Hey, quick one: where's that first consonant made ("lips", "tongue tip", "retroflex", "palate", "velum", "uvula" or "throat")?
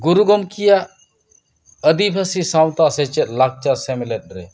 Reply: velum